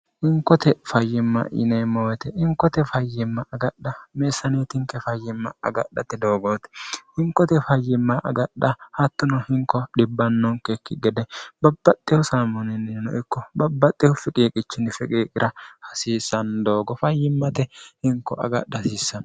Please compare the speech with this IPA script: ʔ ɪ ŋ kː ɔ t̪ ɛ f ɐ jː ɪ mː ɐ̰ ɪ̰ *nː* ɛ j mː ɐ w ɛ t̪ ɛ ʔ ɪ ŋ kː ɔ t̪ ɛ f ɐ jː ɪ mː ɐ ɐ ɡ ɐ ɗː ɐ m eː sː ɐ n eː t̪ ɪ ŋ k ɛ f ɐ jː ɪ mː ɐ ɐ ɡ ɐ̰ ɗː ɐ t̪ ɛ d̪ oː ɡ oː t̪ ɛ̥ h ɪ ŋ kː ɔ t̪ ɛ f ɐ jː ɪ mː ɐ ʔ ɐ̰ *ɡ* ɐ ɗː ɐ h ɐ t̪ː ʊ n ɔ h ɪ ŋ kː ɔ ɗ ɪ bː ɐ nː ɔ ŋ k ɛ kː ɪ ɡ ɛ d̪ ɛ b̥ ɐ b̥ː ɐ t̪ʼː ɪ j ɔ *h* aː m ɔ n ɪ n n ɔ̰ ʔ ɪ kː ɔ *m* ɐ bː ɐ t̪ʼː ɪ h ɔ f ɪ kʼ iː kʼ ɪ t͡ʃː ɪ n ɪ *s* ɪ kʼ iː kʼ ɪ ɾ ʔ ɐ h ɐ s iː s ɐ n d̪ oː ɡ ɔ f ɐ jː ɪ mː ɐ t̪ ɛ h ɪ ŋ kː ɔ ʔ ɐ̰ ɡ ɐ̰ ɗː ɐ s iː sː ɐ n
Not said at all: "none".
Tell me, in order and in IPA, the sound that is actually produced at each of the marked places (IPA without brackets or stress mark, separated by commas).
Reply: n, ɡ, s, b, f